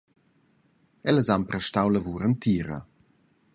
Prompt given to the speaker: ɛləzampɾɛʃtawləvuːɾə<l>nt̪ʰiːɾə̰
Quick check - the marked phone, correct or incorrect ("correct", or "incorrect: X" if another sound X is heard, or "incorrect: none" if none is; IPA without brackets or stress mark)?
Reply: incorrect: none